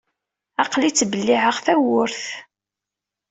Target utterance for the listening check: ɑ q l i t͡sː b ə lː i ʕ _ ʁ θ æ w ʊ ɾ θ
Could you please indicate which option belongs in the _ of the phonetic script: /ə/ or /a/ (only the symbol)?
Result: ə